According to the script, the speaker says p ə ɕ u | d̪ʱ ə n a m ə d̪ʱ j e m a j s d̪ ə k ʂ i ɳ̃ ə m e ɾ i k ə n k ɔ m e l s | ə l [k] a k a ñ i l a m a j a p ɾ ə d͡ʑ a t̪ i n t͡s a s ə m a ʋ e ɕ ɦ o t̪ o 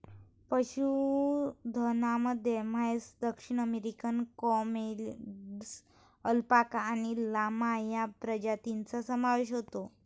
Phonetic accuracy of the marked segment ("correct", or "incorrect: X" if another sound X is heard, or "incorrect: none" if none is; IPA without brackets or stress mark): incorrect: p